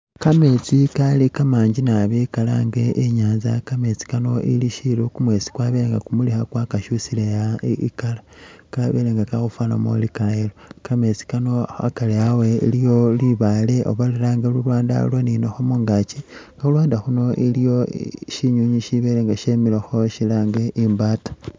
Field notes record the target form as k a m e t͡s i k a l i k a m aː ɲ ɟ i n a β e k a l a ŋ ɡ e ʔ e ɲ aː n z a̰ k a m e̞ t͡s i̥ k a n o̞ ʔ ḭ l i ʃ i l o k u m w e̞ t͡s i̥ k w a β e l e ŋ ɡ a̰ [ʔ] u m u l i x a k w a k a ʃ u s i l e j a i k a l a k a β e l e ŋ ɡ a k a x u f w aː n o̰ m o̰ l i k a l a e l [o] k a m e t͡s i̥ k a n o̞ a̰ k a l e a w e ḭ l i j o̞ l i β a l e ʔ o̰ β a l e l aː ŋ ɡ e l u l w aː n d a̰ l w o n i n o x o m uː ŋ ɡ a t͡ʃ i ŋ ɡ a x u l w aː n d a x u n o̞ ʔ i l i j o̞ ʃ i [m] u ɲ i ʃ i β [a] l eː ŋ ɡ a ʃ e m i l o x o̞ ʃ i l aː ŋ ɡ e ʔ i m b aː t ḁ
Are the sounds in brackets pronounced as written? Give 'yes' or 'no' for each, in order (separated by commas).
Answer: no, yes, no, no